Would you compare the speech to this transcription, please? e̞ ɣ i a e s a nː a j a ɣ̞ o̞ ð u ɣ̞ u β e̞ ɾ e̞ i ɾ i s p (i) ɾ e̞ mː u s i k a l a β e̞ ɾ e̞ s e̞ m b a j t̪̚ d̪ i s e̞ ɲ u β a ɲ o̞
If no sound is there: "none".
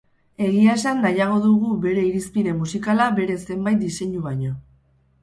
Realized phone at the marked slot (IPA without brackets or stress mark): i